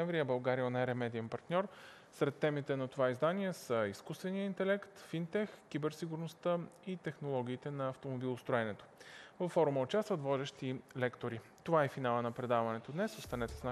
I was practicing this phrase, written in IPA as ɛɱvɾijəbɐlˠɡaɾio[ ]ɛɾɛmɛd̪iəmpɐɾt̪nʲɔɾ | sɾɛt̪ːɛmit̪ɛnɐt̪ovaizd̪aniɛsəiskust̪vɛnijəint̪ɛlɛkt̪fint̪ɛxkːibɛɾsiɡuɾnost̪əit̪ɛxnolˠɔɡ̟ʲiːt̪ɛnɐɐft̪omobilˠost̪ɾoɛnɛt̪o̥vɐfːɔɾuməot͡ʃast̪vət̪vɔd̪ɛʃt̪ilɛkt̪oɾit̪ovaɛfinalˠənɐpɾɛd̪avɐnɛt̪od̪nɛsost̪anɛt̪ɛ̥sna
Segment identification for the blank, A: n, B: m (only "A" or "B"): A